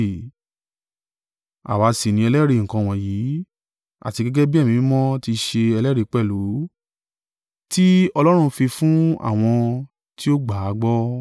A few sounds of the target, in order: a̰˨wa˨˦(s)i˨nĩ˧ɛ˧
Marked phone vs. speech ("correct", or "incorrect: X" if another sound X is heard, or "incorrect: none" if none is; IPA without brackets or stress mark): correct